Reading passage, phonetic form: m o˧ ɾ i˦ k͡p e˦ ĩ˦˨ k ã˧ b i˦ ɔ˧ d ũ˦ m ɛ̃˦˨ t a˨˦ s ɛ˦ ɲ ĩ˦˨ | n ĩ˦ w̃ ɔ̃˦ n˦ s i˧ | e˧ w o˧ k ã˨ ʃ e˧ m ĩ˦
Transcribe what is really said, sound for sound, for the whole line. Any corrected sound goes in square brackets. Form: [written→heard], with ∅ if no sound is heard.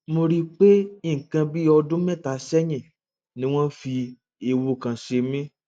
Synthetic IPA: m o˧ ɾ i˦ k͡p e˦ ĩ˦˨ k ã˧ b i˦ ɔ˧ d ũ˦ m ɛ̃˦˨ t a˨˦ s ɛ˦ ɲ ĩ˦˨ | n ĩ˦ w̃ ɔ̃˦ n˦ [s→f] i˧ | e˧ w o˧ k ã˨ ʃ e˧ m ĩ˦